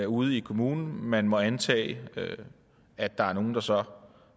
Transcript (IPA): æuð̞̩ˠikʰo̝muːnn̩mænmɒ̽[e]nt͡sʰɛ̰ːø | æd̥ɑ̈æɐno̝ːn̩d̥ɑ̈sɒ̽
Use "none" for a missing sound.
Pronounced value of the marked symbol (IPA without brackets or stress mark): æ